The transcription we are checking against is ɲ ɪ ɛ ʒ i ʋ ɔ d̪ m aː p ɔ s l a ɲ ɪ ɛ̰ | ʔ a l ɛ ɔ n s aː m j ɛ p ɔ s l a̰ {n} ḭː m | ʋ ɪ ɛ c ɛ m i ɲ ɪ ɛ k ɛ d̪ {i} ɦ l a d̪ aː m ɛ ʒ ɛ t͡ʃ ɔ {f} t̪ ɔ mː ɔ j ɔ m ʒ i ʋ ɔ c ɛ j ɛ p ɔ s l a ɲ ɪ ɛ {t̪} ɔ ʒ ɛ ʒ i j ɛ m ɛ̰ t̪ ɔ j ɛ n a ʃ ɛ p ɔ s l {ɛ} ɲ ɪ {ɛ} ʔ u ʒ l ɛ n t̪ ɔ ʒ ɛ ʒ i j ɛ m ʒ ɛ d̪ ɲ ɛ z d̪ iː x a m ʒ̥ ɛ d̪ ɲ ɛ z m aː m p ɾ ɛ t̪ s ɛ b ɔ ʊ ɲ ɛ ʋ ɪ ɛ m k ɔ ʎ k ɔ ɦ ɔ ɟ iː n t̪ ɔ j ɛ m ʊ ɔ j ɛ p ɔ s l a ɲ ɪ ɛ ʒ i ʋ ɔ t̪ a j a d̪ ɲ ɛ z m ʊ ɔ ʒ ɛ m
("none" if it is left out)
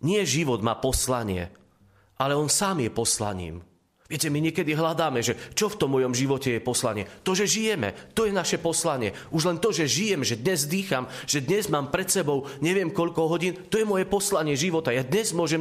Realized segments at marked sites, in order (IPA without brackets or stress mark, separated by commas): ɲ, i, f, t̪, a, ɛ